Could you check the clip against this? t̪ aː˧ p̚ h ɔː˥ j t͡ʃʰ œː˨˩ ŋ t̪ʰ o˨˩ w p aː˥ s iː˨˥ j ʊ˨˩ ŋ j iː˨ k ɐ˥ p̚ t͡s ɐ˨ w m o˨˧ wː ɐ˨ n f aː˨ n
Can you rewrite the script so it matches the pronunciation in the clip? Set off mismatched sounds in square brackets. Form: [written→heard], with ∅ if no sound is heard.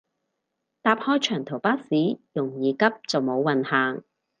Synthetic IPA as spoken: t̪ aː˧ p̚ h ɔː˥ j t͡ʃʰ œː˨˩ ŋ t̪ʰ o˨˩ w p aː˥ s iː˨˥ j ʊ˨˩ ŋ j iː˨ k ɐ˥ p̚ t͡s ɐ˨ w m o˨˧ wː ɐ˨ n [f→h] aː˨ [n→ŋ]